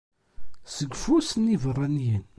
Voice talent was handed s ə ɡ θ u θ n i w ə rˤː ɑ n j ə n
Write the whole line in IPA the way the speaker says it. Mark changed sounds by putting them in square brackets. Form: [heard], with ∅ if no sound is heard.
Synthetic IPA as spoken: s ə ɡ [f] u [s] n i [v] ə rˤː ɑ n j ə n